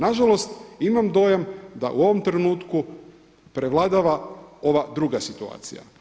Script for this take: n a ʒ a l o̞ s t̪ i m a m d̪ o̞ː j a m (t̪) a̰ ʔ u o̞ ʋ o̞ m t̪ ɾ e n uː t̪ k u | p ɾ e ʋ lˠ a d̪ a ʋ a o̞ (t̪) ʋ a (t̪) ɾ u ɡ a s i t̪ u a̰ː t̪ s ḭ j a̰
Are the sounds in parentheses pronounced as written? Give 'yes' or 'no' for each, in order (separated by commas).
no, no, no